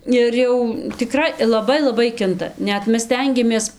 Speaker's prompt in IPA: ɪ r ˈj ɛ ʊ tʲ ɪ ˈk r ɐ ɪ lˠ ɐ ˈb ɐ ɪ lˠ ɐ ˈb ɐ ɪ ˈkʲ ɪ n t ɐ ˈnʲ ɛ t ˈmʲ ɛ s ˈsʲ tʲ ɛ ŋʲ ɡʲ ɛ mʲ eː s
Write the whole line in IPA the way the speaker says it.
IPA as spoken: ɪ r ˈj ɛ ʊ tʲ ɪ ˈk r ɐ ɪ lˠ ɐ ˈb ɐ ɪ lˠ ɐ ˈb ɐ ɪ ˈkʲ ɪ n t ɐ ˈnʲ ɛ t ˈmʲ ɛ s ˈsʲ tʲ ɛ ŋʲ ɡʲ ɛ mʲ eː s